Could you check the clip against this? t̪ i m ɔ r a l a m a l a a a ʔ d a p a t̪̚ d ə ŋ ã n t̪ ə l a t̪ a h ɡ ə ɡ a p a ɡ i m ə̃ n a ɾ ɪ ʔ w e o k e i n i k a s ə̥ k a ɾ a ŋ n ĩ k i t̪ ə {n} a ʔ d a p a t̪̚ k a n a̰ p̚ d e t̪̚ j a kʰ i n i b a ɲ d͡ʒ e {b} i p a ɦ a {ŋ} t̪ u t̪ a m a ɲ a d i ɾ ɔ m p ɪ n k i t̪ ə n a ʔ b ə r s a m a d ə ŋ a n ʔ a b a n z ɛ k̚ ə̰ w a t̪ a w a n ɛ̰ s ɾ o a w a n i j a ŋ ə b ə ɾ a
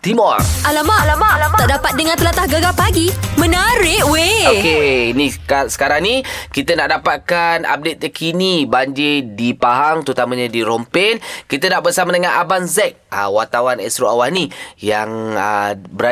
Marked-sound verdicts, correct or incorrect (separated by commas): correct, incorrect, correct